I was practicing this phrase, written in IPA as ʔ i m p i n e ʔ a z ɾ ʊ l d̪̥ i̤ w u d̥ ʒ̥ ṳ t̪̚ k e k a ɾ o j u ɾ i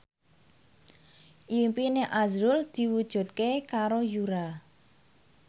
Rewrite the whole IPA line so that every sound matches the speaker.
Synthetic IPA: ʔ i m p i n e ʔ a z ɾ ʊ l d̪̥ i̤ w u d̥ ʒ̥ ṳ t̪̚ k e k a ɾ o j u ɾ a

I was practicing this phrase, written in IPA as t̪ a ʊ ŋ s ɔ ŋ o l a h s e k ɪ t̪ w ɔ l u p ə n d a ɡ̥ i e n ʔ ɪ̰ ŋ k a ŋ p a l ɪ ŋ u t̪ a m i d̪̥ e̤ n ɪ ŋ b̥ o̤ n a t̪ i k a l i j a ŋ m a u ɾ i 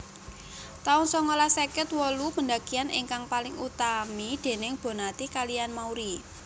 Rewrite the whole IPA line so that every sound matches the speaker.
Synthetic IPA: t̪ a ʊ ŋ s ɔ ŋ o l a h s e k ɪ t̪ w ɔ l u p ə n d a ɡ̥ i a n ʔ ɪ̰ ŋ k a ŋ p a l ɪ ŋ u t̪ a m i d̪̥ e̤ n ɪ ŋ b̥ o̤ n a t̪ i k a l i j a n m a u ɾ i

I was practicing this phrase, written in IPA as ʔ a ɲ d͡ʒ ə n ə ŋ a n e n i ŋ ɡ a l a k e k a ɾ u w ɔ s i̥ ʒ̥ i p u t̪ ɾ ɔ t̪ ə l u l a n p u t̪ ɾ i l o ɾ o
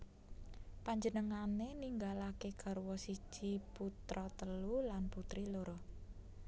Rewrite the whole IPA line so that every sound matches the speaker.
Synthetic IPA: p a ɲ d͡ʒ ə n ə ŋ a n e n i ŋ ɡ a l a k e k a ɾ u w ɔ s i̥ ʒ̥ i p u t̪ ɾ ɔ t̪ ə l u l a n p u t̪ ɾ i l o ɾ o

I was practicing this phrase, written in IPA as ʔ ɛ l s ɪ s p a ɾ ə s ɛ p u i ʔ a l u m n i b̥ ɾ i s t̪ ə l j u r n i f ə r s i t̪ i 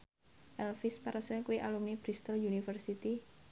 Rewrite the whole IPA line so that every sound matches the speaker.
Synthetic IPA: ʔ ɛ l f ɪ s p a ɾ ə s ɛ k u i ʔ a l u m n i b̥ ɾ i s t̪ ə l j u n i f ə r s i t̪ i

